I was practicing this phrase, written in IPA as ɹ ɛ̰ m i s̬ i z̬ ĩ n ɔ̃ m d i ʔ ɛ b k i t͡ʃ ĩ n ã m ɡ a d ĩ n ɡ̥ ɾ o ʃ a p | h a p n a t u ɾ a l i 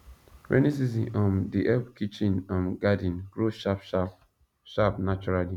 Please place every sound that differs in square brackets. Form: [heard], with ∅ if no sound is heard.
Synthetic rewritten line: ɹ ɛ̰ [n] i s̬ i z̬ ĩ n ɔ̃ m d i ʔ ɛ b k i t͡ʃ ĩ n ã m ɡ a d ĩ n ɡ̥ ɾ o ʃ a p | [ʃ] a p n a [t͡ʃ] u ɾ a l i